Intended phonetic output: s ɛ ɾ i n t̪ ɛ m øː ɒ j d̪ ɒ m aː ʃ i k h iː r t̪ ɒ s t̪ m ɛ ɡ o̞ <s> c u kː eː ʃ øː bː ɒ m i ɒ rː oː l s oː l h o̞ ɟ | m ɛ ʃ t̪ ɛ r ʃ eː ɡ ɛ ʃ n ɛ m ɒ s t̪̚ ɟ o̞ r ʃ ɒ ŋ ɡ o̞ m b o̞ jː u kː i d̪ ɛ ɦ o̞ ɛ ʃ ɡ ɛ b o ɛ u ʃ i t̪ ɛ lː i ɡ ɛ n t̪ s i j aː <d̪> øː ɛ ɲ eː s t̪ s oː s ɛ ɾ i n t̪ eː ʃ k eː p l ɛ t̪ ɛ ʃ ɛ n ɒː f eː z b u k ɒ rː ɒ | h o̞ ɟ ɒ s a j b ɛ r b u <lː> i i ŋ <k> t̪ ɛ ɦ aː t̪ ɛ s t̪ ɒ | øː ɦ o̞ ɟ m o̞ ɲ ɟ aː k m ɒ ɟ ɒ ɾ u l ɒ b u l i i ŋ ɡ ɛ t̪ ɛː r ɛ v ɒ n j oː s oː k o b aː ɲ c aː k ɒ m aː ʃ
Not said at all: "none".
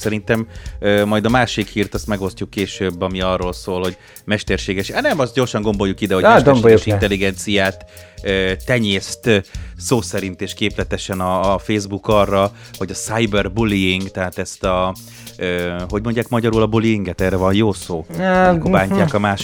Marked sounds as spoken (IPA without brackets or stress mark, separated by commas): s, t̪, l, ɡ